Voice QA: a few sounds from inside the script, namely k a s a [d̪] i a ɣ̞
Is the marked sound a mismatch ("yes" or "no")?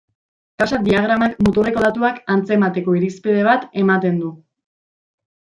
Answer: no